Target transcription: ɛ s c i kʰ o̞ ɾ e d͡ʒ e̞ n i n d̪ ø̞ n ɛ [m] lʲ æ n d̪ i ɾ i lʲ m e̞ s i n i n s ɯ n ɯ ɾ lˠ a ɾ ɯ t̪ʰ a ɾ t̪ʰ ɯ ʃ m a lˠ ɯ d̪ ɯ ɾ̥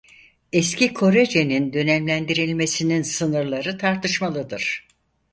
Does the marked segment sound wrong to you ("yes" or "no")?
no